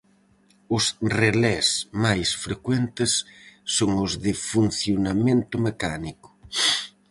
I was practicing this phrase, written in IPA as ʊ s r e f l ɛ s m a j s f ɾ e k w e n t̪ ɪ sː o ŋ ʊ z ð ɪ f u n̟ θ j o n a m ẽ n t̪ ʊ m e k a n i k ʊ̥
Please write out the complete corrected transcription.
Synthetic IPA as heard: ʊ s r e l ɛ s m a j s f ɾ e k w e n t̪ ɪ sː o ŋ ʊ z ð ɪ f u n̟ θ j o n a m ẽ n t̪ ʊ m e k a n i k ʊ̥